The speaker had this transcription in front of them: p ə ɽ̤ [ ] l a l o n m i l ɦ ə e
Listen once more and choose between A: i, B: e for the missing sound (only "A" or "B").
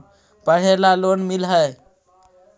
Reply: B